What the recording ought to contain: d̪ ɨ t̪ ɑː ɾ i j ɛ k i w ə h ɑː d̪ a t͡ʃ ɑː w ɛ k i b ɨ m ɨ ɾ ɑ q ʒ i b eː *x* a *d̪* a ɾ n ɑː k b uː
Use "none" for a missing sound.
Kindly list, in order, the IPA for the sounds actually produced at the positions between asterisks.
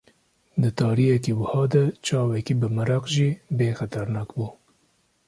x, t̪

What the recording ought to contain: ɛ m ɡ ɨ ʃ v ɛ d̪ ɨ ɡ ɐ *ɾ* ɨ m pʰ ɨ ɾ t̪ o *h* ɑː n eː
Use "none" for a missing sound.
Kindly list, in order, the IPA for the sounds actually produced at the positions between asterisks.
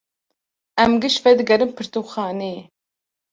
ɾ, x

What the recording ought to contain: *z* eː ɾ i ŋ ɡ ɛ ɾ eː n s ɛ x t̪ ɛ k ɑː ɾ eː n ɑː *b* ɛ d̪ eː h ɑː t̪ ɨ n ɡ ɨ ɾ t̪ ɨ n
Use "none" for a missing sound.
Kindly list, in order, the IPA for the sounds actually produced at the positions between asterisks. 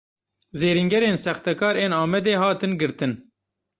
z, m

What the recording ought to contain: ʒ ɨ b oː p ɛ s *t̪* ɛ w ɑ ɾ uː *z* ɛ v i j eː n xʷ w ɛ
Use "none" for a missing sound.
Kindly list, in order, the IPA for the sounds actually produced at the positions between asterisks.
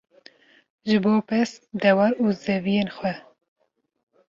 d̪, z

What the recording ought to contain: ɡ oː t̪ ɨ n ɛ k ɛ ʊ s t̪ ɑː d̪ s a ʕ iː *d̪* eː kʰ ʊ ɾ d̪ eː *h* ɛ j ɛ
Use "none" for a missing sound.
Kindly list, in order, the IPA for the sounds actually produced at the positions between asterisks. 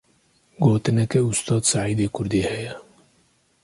d̪, h

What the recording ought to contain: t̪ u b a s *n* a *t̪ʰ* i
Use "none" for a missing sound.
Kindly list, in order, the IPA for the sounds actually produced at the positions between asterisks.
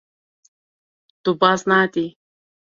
n, t̪

